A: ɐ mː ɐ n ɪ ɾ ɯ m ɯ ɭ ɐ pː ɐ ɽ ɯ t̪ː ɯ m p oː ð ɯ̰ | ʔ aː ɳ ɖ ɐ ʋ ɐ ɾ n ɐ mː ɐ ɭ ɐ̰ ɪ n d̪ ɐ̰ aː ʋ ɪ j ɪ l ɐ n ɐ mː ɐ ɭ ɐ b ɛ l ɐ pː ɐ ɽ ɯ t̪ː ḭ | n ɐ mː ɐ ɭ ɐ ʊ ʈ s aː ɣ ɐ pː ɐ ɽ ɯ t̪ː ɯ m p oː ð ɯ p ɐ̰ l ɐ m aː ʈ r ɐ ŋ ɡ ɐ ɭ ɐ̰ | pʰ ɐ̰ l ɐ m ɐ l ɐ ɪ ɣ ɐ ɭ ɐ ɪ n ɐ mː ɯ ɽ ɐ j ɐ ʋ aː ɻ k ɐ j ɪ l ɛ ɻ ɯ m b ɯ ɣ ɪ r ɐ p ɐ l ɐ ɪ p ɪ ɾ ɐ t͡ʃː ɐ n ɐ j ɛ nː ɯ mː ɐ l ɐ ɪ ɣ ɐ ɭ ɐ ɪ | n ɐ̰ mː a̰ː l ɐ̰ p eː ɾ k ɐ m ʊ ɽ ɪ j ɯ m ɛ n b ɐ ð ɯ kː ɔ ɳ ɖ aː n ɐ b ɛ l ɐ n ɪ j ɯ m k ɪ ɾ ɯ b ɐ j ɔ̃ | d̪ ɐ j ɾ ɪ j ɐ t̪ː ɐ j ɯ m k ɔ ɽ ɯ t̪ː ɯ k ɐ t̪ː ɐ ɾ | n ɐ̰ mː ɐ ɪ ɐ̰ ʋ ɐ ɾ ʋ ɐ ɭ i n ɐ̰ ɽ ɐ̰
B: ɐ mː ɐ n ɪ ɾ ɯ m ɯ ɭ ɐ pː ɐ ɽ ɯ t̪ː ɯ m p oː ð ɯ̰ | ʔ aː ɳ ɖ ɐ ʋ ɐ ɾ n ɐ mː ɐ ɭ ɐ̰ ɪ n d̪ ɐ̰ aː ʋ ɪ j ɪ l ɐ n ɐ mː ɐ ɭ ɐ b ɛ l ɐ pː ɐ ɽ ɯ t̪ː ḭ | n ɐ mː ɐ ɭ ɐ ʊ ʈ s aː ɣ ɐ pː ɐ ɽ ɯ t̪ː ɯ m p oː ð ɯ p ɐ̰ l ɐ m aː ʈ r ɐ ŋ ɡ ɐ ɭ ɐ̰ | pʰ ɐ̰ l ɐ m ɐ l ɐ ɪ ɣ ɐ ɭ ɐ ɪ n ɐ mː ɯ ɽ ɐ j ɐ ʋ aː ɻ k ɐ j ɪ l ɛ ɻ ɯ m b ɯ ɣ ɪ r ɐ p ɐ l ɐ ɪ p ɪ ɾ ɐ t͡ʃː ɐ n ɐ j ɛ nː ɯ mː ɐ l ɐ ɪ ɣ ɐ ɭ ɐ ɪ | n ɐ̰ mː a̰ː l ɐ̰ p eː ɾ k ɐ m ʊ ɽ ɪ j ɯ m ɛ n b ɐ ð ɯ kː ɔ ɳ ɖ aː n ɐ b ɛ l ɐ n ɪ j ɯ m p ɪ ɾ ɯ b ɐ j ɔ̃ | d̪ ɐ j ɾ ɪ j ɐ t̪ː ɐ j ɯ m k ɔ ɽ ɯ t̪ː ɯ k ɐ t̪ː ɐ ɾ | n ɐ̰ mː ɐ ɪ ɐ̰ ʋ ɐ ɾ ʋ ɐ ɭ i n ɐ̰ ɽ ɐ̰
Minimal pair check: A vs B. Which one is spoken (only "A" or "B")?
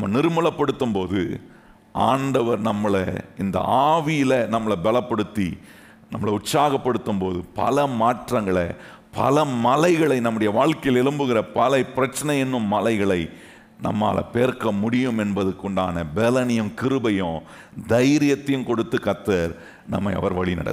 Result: A